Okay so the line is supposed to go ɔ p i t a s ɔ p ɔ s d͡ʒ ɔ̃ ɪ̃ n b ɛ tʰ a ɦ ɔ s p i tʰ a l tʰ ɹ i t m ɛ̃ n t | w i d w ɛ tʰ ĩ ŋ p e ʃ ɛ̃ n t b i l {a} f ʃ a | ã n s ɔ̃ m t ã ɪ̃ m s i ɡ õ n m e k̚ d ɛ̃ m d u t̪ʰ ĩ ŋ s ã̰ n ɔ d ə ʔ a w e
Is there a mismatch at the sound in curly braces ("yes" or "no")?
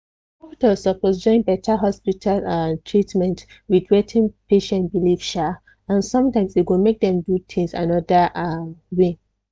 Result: yes